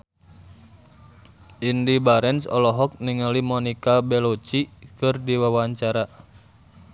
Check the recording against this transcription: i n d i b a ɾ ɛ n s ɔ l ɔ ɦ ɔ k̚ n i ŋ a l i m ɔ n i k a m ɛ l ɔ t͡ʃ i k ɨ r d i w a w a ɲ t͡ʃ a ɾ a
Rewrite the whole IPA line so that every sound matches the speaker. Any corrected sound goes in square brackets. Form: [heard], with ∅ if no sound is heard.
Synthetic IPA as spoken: i n d i b a ɾ ɛ n s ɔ l ɔ ɦ ɔ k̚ n i ŋ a l i m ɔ n i k a [b] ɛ l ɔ t͡ʃ i k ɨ r d i w a w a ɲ t͡ʃ a ɾ a